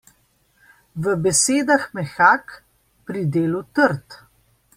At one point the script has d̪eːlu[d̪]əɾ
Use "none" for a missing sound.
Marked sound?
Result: t̪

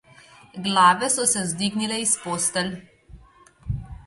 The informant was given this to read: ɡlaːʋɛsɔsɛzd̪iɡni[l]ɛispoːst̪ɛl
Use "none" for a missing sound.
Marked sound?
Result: l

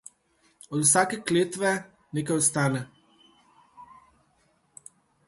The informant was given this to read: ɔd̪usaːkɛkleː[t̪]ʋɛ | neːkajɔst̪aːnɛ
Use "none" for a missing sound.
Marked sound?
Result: t̪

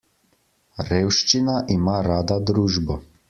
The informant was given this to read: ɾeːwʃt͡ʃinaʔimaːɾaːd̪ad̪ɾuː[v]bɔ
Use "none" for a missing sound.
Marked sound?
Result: ʒ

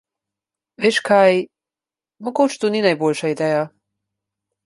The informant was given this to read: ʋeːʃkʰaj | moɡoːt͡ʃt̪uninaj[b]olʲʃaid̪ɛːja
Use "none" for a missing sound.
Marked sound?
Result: b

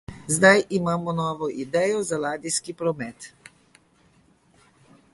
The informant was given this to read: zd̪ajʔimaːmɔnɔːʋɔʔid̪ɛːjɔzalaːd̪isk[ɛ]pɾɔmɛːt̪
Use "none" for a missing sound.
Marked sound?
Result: i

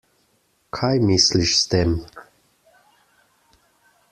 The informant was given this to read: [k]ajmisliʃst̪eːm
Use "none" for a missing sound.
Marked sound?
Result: kʰ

